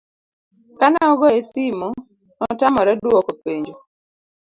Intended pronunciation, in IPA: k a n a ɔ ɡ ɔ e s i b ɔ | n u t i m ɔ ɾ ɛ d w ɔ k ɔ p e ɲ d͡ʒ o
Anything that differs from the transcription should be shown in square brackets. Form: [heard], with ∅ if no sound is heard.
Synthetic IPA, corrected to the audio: k a n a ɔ ɡ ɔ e s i [m] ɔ | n [ɔ] t [a] m ɔ ɾ ɛ d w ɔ k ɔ p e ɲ d͡ʒ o